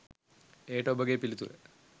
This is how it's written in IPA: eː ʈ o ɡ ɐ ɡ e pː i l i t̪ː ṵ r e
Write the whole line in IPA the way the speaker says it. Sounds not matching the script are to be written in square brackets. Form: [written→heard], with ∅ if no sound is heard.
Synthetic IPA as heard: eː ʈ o [ɡ→b] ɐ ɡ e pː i l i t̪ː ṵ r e